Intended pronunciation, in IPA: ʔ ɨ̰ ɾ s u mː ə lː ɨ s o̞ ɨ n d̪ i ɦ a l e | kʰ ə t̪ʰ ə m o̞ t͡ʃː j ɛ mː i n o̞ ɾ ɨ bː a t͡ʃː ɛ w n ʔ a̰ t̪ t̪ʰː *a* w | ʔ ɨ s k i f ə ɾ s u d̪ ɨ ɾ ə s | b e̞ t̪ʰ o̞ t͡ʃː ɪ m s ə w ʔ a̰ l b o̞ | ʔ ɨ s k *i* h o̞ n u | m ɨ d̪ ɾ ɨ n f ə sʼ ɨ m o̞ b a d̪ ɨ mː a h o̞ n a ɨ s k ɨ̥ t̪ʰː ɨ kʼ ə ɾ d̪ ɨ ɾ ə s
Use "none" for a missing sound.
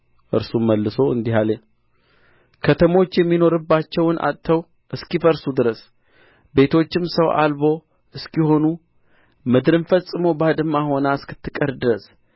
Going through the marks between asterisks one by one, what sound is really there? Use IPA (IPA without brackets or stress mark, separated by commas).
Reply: ə, i